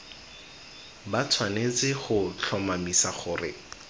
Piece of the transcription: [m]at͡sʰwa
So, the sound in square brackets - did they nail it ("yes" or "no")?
no